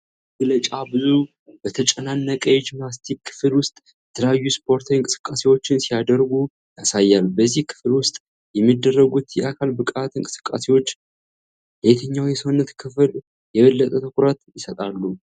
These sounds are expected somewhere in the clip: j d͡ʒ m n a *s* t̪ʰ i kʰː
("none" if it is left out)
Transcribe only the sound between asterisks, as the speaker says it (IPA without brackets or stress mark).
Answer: s